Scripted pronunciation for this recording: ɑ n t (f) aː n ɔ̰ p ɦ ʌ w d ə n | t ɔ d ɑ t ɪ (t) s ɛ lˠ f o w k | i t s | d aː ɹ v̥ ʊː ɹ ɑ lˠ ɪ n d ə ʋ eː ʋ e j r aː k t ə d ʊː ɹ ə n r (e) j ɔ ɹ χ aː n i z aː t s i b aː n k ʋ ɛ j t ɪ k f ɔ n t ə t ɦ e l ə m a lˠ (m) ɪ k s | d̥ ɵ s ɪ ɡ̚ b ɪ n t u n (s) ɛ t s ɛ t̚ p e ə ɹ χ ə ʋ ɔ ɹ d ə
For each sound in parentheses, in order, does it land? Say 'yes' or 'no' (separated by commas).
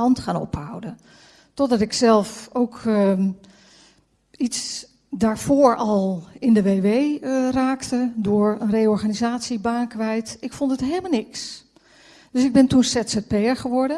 no, no, yes, no, yes